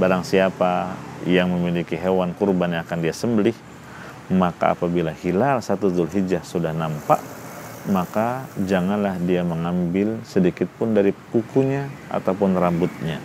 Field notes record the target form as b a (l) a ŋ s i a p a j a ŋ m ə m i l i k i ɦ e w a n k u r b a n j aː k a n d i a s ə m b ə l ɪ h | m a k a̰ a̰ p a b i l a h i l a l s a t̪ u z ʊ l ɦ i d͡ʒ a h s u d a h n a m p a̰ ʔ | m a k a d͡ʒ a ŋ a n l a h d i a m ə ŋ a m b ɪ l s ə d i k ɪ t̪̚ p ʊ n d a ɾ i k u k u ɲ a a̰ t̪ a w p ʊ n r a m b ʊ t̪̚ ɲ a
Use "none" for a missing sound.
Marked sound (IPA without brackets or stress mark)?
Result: ɾ